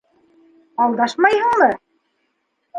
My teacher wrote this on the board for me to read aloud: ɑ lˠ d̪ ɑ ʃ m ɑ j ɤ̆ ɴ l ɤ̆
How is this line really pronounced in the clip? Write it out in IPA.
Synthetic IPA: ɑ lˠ d̪ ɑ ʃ m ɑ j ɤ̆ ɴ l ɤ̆